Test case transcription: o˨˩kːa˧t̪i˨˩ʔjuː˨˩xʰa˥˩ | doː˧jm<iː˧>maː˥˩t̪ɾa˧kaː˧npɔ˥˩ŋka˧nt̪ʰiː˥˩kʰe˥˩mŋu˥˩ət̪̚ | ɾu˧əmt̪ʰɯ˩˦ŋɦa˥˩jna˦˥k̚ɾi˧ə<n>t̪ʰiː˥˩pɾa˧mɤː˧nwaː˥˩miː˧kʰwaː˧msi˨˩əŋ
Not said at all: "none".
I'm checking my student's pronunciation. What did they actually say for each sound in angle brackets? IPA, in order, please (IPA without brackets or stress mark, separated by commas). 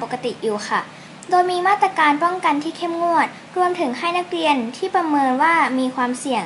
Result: iː˧, n